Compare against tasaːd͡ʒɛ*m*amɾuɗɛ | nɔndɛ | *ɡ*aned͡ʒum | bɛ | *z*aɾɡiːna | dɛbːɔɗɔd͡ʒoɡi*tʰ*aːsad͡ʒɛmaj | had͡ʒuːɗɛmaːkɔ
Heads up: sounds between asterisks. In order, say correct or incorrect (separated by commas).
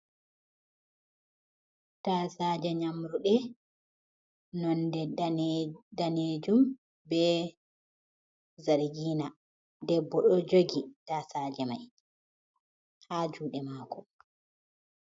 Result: incorrect, incorrect, correct, incorrect